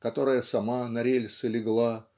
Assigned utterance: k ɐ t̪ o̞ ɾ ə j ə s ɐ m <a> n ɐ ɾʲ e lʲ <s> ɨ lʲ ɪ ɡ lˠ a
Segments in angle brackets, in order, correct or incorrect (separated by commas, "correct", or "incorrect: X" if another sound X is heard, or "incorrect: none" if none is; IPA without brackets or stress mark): correct, correct